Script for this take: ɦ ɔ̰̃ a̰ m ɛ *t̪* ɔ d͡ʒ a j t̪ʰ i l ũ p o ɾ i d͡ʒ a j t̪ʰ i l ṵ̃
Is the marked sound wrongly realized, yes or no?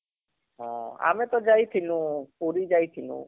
no